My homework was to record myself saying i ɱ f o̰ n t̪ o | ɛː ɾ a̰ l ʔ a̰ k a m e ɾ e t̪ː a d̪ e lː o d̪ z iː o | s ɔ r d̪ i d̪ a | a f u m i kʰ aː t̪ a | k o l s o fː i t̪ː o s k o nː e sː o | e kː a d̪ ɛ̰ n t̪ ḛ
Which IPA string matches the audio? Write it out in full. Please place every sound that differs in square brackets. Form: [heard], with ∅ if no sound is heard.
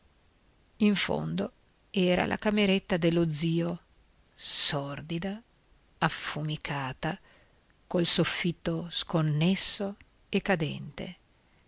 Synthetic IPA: i ɱ f o̰ n [d̪] o | ɛː ɾ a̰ l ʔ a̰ k a m e ɾ e t̪ː a d̪ e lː o d̪ z iː o | s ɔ r d̪ i d̪ a | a f u m i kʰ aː t̪ a | k o l s o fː i t̪ː o s k o nː e sː o | e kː a d̪ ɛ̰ n t̪ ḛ